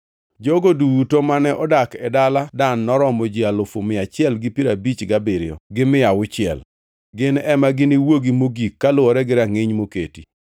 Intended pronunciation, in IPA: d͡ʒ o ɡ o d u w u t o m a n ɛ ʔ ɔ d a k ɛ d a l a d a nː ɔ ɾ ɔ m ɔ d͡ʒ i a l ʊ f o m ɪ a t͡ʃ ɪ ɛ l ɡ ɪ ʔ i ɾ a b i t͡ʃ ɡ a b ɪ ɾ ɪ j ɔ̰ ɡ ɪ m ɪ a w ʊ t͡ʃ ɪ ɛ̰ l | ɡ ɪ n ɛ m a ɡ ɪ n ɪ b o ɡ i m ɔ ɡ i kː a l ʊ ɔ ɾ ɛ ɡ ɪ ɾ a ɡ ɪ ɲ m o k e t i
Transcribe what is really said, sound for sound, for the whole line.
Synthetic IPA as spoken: d͡ʒ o ɡ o d u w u t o m a n ɛ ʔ ɔ d a k ɛ d a l a d a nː ɔ ɾ ɔ m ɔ d͡ʒ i a l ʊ f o m ɪ a t͡ʃ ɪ ɛ l ɡ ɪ p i ɾ a b i t͡ʃ ɡ a b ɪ ɾ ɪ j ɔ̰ ɡ ɪ m ɪ a w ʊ t͡ʃ ɪ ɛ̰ l | ɡ ɪ n ɛ m a ɡ ɪ n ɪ w o ɡ i m o ɡ i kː a l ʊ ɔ ɾ ɛ ɡ ɪ ɾ a ŋ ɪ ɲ m o k e t i